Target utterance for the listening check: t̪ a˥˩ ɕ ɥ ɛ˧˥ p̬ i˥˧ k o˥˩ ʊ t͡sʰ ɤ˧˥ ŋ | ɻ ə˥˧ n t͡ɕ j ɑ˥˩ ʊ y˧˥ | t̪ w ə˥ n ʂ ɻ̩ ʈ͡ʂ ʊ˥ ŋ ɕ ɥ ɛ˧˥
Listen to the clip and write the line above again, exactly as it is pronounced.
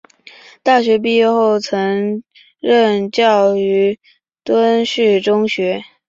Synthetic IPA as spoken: t̪ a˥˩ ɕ ɥ ɛ˧˥ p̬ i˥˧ x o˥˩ ʊ t͡sʰ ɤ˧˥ ŋ | ɻ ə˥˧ n t͡ɕ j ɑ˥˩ ʊ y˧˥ | t̪ w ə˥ n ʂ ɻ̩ ʈ͡ʂ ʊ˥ ŋ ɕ ɥ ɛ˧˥